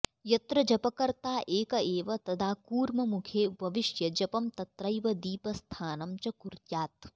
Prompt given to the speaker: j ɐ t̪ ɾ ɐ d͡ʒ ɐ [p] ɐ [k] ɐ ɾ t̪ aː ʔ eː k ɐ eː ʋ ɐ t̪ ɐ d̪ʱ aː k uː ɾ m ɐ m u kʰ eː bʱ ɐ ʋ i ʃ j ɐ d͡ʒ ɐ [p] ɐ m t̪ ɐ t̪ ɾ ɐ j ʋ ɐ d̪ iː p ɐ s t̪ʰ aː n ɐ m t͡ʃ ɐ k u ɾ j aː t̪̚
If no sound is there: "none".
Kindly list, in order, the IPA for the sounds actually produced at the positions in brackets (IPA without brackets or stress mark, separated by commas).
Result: p, k, p